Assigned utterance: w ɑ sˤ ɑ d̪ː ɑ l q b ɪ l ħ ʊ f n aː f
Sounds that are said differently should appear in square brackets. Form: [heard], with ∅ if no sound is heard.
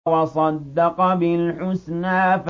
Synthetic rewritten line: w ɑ sˤ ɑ d̪ː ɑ [∅] q b ɪ l ħ ʊ [s] n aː f